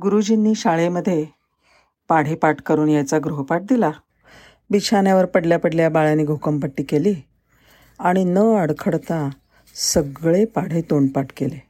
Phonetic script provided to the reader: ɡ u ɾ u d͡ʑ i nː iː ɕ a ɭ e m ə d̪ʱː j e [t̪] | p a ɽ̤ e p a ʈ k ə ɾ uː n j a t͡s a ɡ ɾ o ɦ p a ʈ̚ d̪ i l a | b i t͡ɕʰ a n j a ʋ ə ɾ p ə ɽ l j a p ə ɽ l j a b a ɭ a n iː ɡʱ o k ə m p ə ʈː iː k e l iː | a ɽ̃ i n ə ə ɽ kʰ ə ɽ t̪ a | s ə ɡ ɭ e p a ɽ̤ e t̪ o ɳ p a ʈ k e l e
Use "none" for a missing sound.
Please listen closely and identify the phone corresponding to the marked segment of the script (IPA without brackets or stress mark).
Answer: none